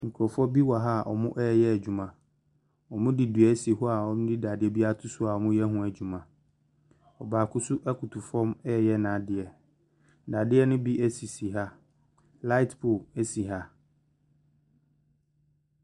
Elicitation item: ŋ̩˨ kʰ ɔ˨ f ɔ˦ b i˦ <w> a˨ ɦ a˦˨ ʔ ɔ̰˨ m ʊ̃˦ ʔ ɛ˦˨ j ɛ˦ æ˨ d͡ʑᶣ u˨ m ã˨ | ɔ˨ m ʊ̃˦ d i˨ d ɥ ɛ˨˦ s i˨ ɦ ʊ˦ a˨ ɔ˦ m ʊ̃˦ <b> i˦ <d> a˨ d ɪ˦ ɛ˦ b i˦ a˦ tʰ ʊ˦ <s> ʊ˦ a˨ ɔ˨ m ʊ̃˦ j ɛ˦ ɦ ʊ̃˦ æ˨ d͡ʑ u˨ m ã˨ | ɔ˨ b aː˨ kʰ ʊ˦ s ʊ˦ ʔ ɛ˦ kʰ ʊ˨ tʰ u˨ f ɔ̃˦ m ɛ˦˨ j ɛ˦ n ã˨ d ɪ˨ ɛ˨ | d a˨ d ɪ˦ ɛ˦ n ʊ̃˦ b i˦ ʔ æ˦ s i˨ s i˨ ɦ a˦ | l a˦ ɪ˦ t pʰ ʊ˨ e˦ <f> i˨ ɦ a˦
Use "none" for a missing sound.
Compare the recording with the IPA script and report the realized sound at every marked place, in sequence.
w, d, d, s, s

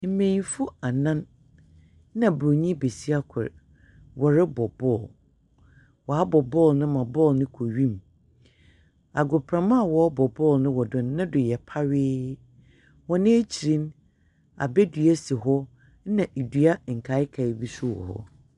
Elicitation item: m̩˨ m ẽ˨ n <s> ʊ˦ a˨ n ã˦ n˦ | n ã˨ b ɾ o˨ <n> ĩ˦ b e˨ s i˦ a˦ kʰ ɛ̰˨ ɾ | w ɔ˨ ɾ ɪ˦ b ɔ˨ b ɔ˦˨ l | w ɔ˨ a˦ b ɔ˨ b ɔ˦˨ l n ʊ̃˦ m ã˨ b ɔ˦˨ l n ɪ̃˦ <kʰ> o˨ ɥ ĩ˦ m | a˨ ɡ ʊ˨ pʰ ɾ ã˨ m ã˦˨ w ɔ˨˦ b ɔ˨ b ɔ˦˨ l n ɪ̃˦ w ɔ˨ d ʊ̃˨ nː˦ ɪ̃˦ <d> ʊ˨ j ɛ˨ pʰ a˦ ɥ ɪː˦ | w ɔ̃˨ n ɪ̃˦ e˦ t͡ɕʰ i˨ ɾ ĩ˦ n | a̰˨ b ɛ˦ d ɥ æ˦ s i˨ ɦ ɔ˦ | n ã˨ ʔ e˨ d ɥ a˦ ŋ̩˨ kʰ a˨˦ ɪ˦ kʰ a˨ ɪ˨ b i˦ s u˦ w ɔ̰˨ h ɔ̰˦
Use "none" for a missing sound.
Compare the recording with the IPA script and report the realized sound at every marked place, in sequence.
f, ɲ, kʰ, d

